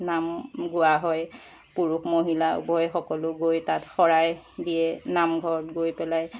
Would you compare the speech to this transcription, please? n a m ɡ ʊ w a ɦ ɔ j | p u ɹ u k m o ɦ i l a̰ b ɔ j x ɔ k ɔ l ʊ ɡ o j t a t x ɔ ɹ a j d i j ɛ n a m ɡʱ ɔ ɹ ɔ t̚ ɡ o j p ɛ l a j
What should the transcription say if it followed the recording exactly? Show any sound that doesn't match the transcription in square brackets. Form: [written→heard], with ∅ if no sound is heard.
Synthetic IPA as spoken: n a m ɡ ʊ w a ɦ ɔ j | p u ɹ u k m o ɦ i l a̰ b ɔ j x ɔ k ɔ l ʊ ɡ o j t a t x ɔ ɹ a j d i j ɛ n a m ɡʱ ɔ ɹ ɔ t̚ ɡ o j p ɛ l a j